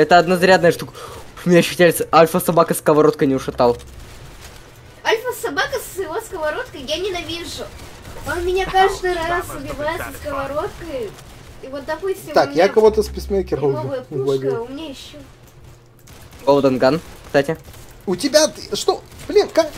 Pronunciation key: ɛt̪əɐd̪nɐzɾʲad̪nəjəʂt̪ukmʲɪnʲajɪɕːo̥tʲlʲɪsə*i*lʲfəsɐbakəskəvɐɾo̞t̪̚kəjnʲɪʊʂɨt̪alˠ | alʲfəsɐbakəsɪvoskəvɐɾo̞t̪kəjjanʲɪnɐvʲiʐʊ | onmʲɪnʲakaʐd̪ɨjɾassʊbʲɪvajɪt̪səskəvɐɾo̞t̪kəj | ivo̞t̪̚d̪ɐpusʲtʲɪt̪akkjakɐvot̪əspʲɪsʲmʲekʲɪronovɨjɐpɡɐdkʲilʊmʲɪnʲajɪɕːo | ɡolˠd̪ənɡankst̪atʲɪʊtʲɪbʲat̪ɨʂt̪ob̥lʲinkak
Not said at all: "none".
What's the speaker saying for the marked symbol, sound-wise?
a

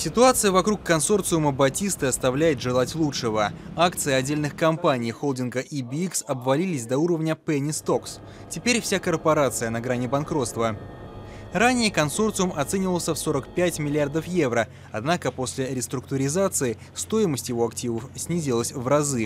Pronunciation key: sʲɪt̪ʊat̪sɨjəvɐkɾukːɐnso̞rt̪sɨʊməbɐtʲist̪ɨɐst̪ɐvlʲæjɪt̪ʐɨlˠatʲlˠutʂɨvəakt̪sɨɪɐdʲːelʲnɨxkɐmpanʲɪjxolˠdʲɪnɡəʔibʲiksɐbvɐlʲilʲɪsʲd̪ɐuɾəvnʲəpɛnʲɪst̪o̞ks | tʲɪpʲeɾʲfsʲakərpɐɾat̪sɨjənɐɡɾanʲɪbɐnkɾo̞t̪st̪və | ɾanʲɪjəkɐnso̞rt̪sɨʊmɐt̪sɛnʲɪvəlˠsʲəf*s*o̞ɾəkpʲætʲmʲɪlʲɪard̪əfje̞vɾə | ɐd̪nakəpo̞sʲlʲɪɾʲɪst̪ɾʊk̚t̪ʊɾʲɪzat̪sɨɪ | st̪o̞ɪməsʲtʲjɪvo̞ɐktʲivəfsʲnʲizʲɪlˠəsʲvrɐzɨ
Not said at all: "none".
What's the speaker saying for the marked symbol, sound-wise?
s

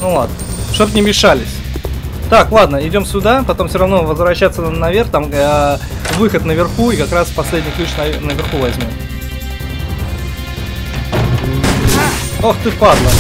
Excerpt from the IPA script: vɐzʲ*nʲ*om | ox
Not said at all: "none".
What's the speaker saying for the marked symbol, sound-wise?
mʲ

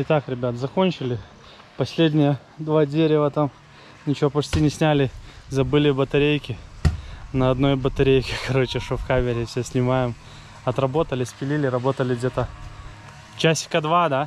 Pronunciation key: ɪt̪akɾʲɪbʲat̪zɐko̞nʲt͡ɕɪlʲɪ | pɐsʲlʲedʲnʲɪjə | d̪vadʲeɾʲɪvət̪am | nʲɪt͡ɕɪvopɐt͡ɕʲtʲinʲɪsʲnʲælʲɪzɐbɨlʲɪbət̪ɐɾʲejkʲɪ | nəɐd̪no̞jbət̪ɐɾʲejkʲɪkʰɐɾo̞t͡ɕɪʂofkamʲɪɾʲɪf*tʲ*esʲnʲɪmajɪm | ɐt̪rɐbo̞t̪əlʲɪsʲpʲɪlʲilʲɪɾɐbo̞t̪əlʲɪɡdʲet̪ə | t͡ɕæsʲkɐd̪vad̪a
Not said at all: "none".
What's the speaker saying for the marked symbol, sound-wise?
sʲ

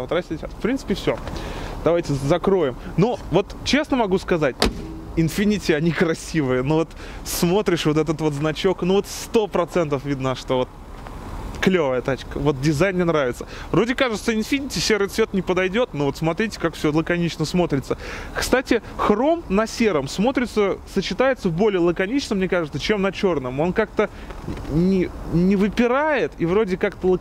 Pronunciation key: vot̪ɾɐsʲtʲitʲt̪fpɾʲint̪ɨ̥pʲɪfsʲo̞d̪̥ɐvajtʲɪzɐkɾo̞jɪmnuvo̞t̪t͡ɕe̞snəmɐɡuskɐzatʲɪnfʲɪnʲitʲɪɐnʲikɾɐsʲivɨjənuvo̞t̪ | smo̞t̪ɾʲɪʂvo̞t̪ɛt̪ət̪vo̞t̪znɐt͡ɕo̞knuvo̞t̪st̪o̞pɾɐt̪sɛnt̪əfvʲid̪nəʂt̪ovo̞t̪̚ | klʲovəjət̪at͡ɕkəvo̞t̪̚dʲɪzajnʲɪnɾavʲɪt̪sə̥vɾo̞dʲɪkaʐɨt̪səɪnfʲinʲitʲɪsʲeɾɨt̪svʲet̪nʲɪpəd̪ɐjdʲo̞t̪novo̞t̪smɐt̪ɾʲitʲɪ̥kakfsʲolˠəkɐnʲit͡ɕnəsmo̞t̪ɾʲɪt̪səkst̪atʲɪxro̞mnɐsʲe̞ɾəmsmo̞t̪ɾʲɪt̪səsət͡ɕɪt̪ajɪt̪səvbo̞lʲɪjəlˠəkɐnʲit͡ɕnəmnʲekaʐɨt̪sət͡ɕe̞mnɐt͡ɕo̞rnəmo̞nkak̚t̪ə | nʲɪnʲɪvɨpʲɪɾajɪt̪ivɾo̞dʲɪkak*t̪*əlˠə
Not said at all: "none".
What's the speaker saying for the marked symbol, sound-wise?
t̪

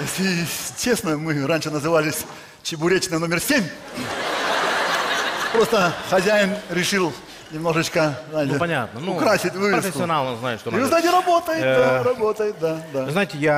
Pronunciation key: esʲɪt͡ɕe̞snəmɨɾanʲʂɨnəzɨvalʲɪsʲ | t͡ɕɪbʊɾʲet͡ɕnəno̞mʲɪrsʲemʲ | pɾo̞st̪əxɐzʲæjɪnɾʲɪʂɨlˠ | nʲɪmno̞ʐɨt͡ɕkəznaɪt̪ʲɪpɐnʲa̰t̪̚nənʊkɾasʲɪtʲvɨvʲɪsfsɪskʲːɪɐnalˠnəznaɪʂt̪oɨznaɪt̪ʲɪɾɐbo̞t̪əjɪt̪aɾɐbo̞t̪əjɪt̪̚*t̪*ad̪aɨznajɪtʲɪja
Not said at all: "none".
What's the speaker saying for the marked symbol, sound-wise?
d̪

